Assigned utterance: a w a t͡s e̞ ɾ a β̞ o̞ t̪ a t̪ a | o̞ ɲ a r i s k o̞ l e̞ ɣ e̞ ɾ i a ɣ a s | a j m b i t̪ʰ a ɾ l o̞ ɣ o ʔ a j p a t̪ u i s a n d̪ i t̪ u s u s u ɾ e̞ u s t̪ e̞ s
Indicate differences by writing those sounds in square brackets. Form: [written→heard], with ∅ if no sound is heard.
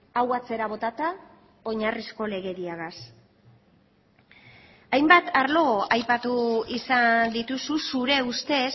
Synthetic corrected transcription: a w a t͡s e̞ ɾ a β̞ o̞ t̪ a t̪ a | o̞ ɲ a r i s k o̞ l e̞ ɣ e̞ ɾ i a ɣ a s | a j m b [i→a] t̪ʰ a ɾ l o̞ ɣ o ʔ a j p a t̪ u i s a n d̪ i t̪ u s u s u ɾ e̞ u s t̪ e̞ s

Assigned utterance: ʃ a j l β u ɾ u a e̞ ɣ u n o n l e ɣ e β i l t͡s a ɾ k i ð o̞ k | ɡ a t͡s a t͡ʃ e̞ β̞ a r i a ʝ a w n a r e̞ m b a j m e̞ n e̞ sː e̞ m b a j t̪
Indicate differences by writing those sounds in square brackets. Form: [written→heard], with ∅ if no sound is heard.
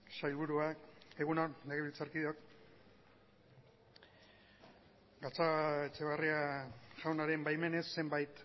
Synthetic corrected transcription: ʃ a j l β u ɾ u a e̞ ɣ u n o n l e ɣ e β i l t͡s a ɾ k i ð o̞ k | ɡ a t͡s a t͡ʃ e̞ β̞ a r i a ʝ a w n a [r→ɾ] e̞ m b a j m e̞ n e̞ sː e̞ m b a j t̪

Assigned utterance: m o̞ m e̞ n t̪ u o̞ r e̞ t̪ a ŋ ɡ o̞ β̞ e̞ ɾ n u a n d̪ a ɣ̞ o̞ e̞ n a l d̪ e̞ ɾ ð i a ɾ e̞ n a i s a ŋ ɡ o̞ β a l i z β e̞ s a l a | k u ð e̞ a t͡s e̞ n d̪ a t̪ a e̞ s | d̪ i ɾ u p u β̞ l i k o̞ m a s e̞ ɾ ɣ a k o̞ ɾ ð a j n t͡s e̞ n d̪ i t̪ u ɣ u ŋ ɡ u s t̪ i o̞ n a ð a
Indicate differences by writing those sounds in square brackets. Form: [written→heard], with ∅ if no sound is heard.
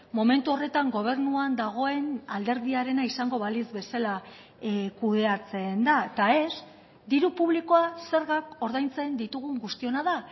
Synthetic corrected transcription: m o̞ m e̞ n t̪ u o̞ r e̞ t̪ a ŋ ɡ o̞ β̞ e̞ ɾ n u a n d̪ a ɣ̞ o̞ e̞ n a l d̪ e̞ ɾ ð i a ɾ e̞ n a i s a ŋ ɡ o̞ β a l i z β e̞ s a l a | k u ð e̞ a t͡s e̞ n d̪ a t̪ a e̞ s | d̪ i ɾ u p u β̞ l i k o̞ [m→∅] a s e̞ ɾ ɣ a k o̞ ɾ ð a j n t͡s e̞ n d̪ i t̪ u ɣ u ŋ ɡ u s t̪ i o̞ n a ð a

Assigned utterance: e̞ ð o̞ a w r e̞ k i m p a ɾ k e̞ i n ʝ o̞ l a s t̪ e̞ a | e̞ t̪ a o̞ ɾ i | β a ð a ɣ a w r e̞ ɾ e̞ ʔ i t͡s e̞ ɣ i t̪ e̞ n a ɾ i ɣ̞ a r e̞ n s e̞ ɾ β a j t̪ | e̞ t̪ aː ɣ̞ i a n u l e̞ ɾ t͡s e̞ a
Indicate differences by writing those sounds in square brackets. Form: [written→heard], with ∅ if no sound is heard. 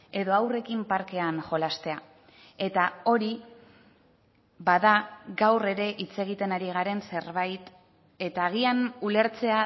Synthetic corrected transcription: e̞ ð o̞ a w r e̞ k i m p a ɾ k e̞ [i→a] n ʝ o̞ l a s t̪ e̞ a | e̞ t̪ a o̞ ɾ i | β a ð a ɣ a w r e̞ ɾ e̞ ʔ i t͡s e̞ ɣ i t̪ e̞ n a ɾ i ɣ̞ a [r→ɾ] e̞ n s e̞ ɾ β a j t̪ | e̞ t̪ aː ɣ̞ i a n u l e̞ ɾ t͡s e̞ a

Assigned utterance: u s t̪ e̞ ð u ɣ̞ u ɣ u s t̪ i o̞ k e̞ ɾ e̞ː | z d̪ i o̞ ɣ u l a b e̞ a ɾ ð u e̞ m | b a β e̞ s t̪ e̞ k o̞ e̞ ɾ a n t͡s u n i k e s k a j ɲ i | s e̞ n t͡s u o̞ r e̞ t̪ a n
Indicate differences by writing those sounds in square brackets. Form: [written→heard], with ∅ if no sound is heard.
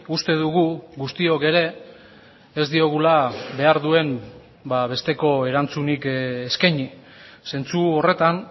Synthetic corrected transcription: u s t̪ e̞ ð u ɣ̞ u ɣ u s t̪ i o̞ k e̞ ɾ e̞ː | z d̪ i o̞ ɣ u l a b e̞ a ɾ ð u e̞ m | b a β e̞ s t̪ e̞ k o̞ e̞ ɾ a n t͡s u n i k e s k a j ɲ i | s e̞ n t͡s u o̞ r e̞ t̪ a n

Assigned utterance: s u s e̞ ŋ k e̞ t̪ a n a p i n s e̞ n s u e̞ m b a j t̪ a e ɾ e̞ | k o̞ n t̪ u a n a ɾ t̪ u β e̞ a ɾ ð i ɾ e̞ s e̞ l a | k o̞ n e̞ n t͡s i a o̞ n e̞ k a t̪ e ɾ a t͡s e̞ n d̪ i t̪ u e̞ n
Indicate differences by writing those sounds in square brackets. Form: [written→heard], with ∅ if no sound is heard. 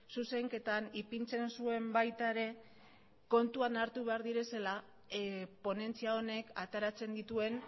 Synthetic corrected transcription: s u s e̞ ŋ k e̞ t̪ a n [a→i] p i n [s→t͡s] e̞ n s u e̞ m b a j t̪ a e ɾ e̞ | k o̞ n t̪ u a n a ɾ t̪ u β e̞ a ɾ ð i ɾ e̞ s e̞ l a | [k→p] o̞ n e̞ n t͡s i a o̞ n e̞ k a t̪ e ɾ a t͡s e̞ n d̪ i t̪ u e̞ n

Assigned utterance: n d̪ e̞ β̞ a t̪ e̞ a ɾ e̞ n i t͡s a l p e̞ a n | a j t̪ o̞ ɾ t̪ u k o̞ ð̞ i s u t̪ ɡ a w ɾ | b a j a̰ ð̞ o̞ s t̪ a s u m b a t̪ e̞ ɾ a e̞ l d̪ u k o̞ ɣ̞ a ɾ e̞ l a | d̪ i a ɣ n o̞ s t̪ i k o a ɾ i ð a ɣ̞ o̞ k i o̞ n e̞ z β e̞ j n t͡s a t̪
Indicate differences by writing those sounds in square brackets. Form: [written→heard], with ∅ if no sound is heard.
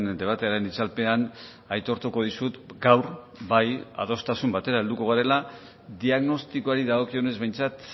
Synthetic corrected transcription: n d̪ e̞ β̞ a t̪ e̞ a ɾ e̞ n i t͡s a l p e̞ a n | a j t̪ o̞ ɾ t̪ u k o̞ ð̞ i s u t̪ ɡ a w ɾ | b a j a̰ ð̞ o̞ s t̪ a s u m b a t̪ e̞ ɾ a e̞ l d̪ u k o̞ ɣ̞ a ɾ e̞ l a | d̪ i a ɣ n o̞ s t̪ i k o a ɾ i ð a ɣ̞ o̞ k i o̞ n e̞ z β e̞ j n t͡s a t̪

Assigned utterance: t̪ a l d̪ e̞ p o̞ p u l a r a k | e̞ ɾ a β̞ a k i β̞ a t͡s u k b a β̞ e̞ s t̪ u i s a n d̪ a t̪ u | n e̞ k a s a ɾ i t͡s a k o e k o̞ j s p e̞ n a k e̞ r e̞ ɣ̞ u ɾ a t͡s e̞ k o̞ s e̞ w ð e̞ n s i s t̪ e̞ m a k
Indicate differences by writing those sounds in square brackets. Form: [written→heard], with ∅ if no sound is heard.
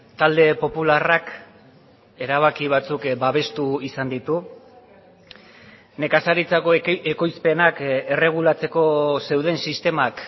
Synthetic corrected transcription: t̪ a l d̪ e̞ p o̞ p u l a r a k | e̞ ɾ a β̞ a k i β̞ a t͡s u k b a β̞ e̞ s t̪ u i s a n d̪ [a→i] t̪ u | n e̞ k a s a ɾ i t͡s a k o e k o̞ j s p e̞ n a k e̞ r e̞ ɣ̞ u [ɾ→l] a t͡s e̞ k o̞ s e̞ w ð e̞ n s i s t̪ e̞ m a k

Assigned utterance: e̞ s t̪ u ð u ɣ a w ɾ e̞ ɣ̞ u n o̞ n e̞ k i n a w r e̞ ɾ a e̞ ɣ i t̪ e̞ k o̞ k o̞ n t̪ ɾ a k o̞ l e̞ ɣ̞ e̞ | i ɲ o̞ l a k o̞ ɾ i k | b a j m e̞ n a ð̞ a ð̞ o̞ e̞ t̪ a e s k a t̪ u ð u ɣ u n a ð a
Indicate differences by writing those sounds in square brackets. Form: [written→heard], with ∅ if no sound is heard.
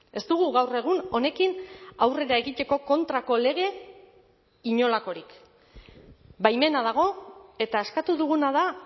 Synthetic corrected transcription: e̞ s t̪ u [ð→ɣ] u ɣ a w [ɾ→r] e̞ ɣ̞ u n o̞ n e̞ k i n a w r e̞ ɾ a e̞ ɣ i t̪ e̞ k o̞ k o̞ n t̪ ɾ a k o̞ l e̞ ɣ̞ e̞ | i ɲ o̞ l a k o̞ ɾ i k | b a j m e̞ n a ð̞ a [ð̞→ɣ̞] o̞ e̞ t̪ a e s k a t̪ u ð u ɣ u n a ð a

